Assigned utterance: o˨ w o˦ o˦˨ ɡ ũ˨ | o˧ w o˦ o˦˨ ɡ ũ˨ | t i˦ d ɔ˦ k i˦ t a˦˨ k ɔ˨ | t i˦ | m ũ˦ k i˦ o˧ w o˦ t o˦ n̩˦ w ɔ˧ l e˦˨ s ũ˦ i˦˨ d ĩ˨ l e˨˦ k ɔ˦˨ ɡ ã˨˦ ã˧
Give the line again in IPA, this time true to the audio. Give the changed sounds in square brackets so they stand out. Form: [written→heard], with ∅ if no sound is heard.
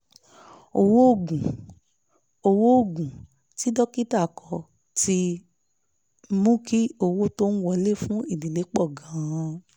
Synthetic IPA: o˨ w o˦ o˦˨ ɡ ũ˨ | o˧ w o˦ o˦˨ ɡ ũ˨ | t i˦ d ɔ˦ k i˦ t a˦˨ k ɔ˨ | t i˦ | m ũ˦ k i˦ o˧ w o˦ t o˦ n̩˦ w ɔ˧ l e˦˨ [s→f] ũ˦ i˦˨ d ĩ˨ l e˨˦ [k→k͡p] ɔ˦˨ ɡ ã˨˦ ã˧

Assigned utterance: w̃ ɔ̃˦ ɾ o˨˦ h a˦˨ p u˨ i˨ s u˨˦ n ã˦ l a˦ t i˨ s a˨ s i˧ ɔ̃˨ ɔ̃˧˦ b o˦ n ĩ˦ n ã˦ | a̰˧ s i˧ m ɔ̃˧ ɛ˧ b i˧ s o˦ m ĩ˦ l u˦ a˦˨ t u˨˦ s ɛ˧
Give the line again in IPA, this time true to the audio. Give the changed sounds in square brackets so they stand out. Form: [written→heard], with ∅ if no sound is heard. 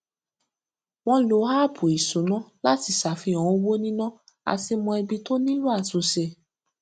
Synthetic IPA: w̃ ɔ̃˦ [ɾ→l] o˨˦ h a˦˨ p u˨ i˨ s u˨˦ n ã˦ l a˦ t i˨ s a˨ [s→f] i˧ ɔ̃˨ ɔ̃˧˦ [b→w] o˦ n ĩ˦ n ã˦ | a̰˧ s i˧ m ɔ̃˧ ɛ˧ b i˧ [s→t] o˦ [m→n] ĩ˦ l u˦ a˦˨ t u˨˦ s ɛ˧

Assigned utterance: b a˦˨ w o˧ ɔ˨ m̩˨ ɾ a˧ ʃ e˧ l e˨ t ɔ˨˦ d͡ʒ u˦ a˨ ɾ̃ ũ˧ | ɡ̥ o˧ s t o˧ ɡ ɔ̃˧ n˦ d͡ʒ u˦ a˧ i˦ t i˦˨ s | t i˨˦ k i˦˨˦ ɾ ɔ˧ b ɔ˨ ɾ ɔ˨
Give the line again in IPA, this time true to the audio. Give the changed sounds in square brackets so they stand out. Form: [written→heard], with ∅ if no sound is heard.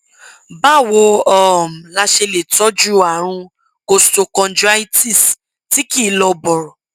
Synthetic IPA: b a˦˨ w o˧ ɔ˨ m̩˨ [ɾ→l] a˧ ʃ e˧ l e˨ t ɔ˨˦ d͡ʒ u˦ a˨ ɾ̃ ũ˧ | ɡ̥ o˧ s t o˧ [ɡ→k] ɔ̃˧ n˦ d͡ʒ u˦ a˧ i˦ t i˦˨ s | t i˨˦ k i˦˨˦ [ɾ→l] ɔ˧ b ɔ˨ ɾ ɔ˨

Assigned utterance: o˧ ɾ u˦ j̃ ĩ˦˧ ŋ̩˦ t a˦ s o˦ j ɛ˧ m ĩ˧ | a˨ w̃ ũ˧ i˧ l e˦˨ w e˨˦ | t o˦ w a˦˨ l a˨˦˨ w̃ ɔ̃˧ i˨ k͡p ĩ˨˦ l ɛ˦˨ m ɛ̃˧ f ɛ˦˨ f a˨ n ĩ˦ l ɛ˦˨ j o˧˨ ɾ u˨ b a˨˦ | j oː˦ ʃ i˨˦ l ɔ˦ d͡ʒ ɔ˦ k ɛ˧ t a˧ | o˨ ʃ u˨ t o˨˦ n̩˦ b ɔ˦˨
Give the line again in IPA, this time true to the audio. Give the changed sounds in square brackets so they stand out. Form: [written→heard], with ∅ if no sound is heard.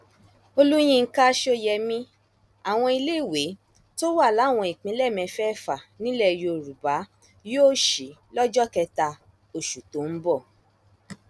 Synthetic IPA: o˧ [ɾ→l] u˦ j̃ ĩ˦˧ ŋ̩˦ [t→k] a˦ [s→ʃ] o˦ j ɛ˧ m ĩ˧ | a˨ w̃ [ũ˧→ɔ̃˧] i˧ l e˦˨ w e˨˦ | t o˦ w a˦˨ l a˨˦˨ w̃ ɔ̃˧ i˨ k͡p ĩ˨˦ l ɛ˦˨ m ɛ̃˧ f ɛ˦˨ f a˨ n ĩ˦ l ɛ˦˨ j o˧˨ ɾ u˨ b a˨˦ | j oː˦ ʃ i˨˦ l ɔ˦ d͡ʒ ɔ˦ k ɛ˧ t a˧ | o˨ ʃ u˨ t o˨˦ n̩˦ b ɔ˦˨

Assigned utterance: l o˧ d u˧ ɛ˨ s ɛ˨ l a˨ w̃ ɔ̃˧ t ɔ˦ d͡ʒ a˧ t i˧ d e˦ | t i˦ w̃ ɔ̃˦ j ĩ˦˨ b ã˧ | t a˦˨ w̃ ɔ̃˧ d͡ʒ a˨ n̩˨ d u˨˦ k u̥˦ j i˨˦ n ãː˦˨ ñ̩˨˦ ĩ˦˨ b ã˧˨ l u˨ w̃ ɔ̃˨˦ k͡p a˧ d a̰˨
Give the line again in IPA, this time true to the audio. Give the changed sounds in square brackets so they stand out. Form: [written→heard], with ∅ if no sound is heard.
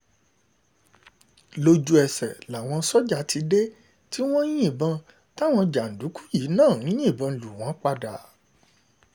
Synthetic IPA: l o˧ [d→d͡ʒ] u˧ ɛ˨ s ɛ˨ l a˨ w̃ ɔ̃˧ [t→s] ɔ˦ d͡ʒ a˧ t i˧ d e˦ | t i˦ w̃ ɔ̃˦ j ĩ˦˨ b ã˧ | t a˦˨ w̃ ɔ̃˧ d͡ʒ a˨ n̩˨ d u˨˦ k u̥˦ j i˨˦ n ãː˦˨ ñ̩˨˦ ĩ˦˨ b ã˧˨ l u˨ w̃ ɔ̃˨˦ k͡p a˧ d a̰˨

